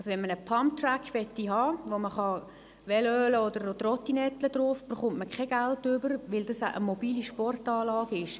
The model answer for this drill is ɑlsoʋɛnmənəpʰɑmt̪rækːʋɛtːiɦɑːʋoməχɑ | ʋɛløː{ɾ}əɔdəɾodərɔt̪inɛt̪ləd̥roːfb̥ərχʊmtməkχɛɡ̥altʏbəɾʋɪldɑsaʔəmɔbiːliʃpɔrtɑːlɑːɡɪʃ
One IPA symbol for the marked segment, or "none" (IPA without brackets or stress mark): l